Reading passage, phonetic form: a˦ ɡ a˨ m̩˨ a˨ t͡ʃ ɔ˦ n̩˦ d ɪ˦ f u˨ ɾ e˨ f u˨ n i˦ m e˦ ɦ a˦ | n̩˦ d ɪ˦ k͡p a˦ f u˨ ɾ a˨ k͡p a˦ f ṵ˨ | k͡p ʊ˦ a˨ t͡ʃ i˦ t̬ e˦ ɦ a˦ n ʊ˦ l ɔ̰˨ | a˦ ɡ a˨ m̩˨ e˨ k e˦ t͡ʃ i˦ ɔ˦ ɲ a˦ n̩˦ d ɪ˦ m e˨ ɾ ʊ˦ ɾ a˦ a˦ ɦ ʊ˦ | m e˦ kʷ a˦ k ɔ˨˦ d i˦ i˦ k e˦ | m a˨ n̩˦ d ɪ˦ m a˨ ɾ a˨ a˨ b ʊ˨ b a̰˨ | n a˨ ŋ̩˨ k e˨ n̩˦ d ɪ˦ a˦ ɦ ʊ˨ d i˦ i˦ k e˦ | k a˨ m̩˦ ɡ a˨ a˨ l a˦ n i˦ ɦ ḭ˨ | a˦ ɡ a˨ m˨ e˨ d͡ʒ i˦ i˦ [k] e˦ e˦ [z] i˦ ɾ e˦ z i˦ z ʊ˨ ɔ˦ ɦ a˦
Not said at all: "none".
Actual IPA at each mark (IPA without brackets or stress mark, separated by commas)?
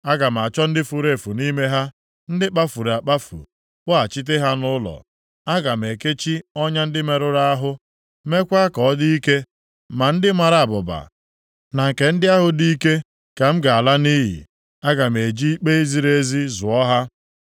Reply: k͡p, z